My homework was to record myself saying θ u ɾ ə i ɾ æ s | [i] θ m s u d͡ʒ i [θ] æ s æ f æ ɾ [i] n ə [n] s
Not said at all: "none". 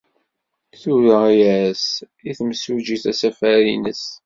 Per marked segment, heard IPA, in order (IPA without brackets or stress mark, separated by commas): i, θ, i, none